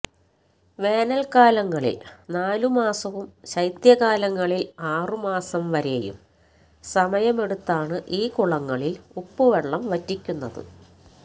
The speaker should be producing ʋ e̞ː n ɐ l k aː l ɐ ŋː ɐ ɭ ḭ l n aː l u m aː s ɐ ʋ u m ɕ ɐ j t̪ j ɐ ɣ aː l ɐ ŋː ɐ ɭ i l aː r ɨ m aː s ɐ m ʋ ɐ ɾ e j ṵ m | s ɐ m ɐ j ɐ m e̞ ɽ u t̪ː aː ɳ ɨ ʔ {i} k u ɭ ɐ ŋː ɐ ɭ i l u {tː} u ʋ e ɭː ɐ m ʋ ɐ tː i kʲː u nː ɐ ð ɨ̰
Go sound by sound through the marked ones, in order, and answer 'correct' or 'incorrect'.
incorrect, incorrect

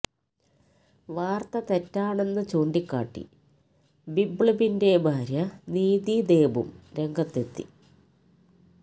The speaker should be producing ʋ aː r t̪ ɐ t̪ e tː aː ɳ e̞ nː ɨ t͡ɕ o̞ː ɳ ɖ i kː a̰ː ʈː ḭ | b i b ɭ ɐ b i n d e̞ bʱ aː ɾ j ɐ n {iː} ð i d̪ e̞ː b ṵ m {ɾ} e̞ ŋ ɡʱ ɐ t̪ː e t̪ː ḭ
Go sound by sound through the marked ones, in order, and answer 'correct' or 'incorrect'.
correct, correct

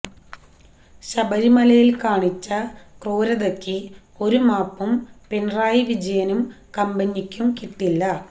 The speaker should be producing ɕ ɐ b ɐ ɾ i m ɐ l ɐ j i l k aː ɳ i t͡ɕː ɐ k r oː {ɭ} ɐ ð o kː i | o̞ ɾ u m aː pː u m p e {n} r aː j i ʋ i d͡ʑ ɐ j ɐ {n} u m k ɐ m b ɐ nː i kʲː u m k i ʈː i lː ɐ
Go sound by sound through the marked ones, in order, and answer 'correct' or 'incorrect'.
incorrect, correct, correct

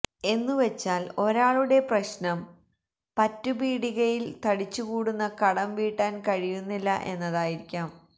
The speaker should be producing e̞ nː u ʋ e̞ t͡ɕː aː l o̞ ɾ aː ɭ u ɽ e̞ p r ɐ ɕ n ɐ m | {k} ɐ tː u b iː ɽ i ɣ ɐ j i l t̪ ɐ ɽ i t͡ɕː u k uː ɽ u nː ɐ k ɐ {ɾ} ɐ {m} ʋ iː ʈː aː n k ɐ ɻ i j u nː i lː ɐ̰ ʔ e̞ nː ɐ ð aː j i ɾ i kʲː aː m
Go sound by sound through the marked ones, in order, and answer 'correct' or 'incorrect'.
incorrect, incorrect, correct

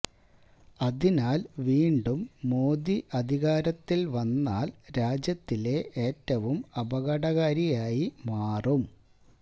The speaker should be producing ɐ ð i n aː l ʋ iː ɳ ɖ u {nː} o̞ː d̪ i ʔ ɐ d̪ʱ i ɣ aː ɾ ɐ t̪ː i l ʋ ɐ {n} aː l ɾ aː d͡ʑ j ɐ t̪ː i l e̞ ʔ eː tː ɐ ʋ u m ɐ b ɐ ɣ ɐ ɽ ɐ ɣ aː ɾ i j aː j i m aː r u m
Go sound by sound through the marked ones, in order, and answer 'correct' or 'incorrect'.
incorrect, incorrect

